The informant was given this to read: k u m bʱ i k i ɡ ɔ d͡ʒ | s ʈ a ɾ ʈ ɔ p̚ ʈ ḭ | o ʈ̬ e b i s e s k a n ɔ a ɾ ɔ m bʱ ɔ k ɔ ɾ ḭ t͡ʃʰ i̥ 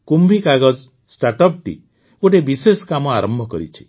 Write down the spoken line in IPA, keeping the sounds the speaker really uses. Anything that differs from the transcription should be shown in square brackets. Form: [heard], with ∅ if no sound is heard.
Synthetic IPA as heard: k u m bʱ i k [a] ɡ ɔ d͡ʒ | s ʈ a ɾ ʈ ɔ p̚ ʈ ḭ | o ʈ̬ e b i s e s k a [m] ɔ a ɾ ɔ m bʱ ɔ k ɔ ɾ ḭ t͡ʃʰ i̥